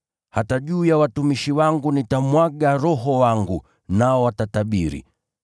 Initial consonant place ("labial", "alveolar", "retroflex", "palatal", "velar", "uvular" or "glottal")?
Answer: glottal